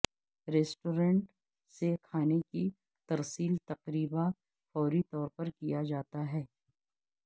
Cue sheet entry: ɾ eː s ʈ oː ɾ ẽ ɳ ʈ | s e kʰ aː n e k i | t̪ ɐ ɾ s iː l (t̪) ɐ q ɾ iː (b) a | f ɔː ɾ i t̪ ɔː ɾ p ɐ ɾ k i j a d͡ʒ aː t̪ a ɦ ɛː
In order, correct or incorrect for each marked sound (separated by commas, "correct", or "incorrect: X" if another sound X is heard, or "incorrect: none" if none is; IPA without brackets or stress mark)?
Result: correct, correct